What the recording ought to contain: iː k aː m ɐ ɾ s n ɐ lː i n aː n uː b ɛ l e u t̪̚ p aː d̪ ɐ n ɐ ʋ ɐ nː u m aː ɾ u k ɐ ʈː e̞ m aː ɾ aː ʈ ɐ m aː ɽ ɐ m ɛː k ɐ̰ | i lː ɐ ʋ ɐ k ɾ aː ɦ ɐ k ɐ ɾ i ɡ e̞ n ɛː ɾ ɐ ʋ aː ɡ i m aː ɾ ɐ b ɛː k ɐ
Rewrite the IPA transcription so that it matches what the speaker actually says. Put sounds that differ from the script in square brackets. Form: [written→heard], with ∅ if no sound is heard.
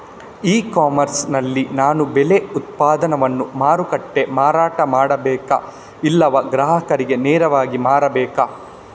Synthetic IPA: iː k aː m ɐ ɾ s n ɐ lː i n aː n [uː→u] b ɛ l e u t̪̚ p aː d̪ ɐ n ɐ ʋ ɐ nː u m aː ɾ u k ɐ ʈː e̞ m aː ɾ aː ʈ ɐ m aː ɽ ɐ [m→b] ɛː k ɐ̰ | i lː ɐ ʋ ɐ [k→ɡ] ɾ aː ɦ ɐ k ɐ ɾ i ɡ e̞ n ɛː ɾ ɐ ʋ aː ɡ i m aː ɾ ɐ b ɛː k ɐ

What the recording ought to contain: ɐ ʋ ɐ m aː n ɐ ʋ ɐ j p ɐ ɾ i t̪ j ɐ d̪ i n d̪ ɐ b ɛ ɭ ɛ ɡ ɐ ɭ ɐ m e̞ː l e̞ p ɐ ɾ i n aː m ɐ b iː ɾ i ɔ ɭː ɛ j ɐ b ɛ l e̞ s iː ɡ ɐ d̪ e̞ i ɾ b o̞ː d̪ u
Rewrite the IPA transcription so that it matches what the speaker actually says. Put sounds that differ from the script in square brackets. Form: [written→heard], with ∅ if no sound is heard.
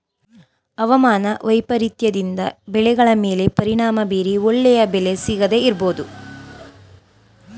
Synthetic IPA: ɐ ʋ ɐ m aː n ɐ ʋ ɐ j p ɐ ɾ i t̪ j ɐ d̪ i n d̪ ɐ b ɛ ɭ ɛ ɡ ɐ ɭ ɐ m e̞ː l e̞ p ɐ ɾ i [n→ɳ] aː m ɐ b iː ɾ i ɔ ɭː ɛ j ɐ b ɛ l e̞ s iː ɡ ɐ d̪ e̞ i ɾ b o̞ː d̪ u

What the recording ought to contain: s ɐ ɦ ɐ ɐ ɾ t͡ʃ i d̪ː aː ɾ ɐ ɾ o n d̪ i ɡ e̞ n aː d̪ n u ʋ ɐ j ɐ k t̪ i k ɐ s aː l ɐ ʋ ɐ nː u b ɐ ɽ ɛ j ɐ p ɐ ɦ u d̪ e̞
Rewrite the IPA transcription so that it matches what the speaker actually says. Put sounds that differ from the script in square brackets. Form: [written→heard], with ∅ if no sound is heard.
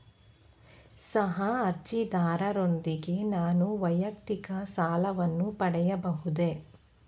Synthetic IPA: s ɐ ɦ ɐ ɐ ɾ t͡ʃ i [d̪ː→d̪] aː ɾ ɐ ɾ o n d̪ i ɡ e̞ n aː [d̪→∅] n u ʋ ɐ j ɐ k t̪ i k ɐ s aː l ɐ ʋ ɐ nː u [b→p] ɐ ɽ ɛ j ɐ [p→b] ɐ ɦ u d̪ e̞

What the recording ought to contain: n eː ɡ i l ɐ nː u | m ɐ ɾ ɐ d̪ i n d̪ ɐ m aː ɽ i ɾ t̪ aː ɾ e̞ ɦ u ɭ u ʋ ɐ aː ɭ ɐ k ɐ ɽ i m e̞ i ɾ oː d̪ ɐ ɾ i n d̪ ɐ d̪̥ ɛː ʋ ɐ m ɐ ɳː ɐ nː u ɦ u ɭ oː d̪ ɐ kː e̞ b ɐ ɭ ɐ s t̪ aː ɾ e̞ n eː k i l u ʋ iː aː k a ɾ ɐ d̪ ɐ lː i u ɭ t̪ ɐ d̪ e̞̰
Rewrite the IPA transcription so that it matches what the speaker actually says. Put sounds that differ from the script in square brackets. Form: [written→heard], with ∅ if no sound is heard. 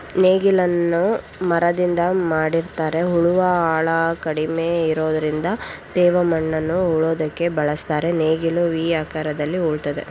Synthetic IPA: n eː ɡ i l ɐ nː u | m ɐ ɾ ɐ d̪ i n d̪ ɐ m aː ɽ i ɾ t̪ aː ɾ e̞ ɦ u ɭ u ʋ ɐ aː ɭ ɐ k ɐ ɽ i m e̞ i ɾ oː d̪ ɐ ɾ i n d̪ ɐ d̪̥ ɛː ʋ ɐ m ɐ ɳː ɐ nː u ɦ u ɭ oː d̪ ɐ kː e̞ b ɐ ɭ ɐ s t̪ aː ɾ e̞ n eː [k→ɡ] i l u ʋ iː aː k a ɾ ɐ d̪ ɐ lː i u ɭ t̪ ɐ d̪ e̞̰

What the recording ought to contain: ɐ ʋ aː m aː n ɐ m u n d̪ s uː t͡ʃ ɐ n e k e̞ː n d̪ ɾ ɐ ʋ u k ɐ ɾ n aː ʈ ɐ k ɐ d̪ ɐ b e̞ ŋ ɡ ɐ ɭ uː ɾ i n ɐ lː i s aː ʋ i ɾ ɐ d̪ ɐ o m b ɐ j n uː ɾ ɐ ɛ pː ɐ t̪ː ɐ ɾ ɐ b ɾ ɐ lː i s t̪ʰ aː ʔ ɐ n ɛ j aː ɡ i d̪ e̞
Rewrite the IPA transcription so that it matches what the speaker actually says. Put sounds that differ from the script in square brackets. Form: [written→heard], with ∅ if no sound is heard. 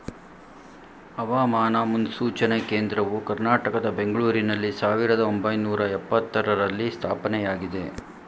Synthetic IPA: ɐ ʋ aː m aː n ɐ m u n d̪ s uː t͡ʃ ɐ n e k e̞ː n d̪ ɾ ɐ ʋ u k ɐ ɾ n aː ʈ ɐ k ɐ d̪ ɐ b e̞ ŋ ɡ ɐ ɭ uː ɾ i n ɐ lː i s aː ʋ i ɾ ɐ d̪ ɐ o m b ɐ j n uː ɾ ɐ ɛ pː ɐ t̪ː ɐ ɾ ɐ [b→∅] ɾ ɐ lː i s t̪ʰ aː [ʔ→p] ɐ n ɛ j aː ɡ i d̪ e̞

